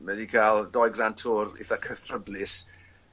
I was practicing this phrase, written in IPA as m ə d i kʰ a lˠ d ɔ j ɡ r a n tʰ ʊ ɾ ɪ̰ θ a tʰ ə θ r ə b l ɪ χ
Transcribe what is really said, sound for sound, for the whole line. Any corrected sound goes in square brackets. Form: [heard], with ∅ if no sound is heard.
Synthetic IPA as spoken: m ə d i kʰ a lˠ d ɔ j ɡ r a n tʰ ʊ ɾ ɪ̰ θ a [kʰ] ə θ r ə b l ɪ [s]